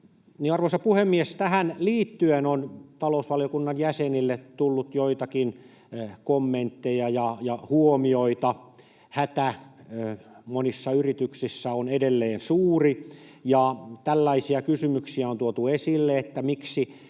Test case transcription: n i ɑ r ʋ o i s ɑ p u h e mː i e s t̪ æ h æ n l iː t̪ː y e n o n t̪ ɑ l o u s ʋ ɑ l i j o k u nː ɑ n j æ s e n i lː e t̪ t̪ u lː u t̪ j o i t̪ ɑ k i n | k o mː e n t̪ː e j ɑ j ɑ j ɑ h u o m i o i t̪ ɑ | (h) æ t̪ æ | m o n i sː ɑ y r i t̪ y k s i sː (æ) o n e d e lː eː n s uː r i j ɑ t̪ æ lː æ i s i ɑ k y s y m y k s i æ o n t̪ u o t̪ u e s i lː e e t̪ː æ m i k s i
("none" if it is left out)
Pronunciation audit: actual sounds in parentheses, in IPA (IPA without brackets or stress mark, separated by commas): h, æ